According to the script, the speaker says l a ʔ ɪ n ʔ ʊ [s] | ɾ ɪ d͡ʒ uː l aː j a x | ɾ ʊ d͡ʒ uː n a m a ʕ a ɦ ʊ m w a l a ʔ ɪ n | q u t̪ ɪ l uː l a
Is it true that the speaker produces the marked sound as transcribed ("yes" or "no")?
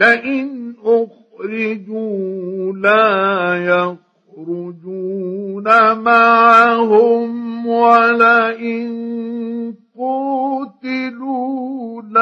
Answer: no